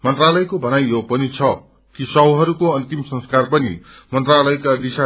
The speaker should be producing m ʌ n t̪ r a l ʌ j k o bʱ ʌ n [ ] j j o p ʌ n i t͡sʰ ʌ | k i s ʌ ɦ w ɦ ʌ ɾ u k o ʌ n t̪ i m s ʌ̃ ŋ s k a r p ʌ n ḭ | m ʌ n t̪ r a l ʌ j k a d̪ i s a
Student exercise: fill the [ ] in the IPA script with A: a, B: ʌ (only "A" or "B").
A